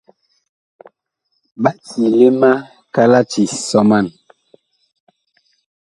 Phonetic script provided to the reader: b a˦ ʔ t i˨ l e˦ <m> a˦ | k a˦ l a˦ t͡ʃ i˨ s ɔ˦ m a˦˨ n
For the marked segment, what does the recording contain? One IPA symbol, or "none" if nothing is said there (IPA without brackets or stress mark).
m